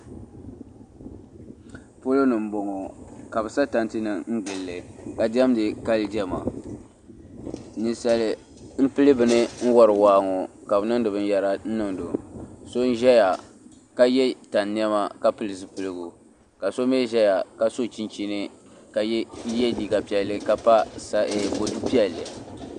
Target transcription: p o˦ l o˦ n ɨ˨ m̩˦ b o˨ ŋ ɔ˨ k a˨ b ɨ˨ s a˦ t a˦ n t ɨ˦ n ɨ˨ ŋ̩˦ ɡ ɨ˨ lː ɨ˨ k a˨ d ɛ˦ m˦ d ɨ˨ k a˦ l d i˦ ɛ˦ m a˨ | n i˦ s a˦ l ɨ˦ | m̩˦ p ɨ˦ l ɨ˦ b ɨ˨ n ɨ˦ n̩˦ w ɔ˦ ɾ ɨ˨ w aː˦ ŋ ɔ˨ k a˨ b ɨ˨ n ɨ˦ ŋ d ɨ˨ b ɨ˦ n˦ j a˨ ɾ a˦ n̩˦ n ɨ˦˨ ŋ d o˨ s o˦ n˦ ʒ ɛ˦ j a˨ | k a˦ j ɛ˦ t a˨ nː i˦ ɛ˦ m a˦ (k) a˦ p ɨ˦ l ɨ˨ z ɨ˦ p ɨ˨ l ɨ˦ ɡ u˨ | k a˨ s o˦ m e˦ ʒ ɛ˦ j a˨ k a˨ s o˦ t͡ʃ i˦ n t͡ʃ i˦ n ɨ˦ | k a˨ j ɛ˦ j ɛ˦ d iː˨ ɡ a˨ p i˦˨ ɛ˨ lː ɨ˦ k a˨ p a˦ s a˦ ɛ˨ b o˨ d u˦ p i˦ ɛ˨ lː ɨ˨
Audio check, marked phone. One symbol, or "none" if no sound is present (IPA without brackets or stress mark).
k